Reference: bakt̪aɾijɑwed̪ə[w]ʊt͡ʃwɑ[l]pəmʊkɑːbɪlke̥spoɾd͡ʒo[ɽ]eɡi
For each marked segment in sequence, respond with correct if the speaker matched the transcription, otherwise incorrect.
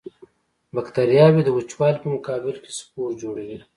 correct, correct, correct

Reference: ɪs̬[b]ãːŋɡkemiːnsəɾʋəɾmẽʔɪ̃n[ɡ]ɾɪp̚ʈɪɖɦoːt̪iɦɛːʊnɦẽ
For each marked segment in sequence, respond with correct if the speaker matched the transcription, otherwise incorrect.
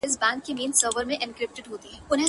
correct, incorrect

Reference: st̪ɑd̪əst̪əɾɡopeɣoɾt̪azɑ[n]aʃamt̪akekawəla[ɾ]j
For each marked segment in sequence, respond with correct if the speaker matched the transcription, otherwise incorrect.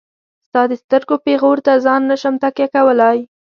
incorrect, incorrect

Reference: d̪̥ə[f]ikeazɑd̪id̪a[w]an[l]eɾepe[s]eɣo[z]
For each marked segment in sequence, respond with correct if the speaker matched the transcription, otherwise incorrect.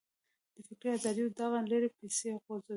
correct, incorrect, correct, correct, correct

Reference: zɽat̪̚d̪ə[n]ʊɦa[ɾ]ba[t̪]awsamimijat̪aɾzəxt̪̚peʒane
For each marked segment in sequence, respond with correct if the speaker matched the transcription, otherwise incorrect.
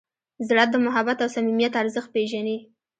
incorrect, incorrect, correct

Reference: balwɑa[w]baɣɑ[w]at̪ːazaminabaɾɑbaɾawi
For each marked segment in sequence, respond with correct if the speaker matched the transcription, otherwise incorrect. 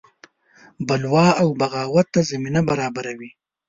correct, correct

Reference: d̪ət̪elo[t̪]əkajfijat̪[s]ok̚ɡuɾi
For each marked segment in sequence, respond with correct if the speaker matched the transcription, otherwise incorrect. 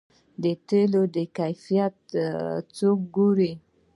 incorrect, incorrect

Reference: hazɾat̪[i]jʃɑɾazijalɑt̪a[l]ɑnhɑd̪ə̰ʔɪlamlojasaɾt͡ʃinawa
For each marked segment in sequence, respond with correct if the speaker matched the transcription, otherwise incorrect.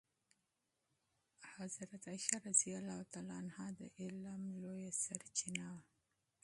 incorrect, correct

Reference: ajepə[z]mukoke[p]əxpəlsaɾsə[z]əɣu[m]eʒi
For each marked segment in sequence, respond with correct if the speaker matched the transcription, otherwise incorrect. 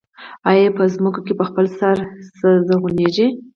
correct, correct, correct, incorrect

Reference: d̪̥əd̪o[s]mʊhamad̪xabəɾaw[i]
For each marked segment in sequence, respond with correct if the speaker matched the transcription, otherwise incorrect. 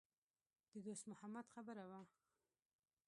correct, incorrect

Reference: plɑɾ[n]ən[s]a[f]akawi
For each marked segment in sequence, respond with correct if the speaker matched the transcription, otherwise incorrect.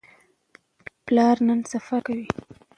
correct, correct, correct

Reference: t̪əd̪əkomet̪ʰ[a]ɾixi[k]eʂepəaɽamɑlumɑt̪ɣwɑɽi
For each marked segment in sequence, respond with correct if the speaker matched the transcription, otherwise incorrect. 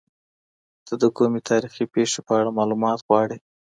incorrect, incorrect

